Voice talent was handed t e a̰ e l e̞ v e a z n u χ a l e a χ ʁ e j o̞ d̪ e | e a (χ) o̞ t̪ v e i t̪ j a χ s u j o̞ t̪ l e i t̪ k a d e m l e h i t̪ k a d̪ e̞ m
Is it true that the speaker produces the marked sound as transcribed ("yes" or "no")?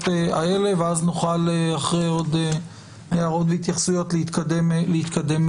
no